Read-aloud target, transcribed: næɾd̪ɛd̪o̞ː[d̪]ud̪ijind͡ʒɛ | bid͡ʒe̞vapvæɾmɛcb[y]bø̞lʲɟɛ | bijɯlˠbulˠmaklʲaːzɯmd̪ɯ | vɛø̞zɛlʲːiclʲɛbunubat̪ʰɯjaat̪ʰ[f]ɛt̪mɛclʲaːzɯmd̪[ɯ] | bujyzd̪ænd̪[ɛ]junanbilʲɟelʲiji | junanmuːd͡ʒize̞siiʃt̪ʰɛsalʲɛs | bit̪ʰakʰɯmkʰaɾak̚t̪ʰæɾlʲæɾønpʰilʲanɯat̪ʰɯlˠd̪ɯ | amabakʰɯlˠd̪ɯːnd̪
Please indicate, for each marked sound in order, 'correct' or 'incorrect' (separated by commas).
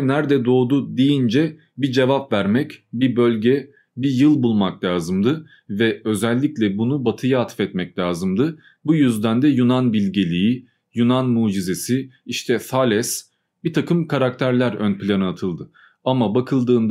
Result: correct, incorrect, correct, correct, correct